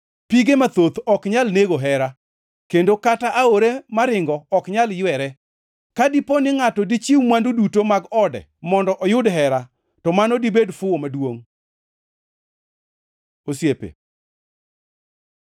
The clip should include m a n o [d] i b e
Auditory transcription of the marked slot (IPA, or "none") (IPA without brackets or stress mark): d